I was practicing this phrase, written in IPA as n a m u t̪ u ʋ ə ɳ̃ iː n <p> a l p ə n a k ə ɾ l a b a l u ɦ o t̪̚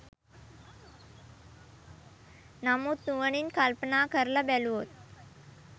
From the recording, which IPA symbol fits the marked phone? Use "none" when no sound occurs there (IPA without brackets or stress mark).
k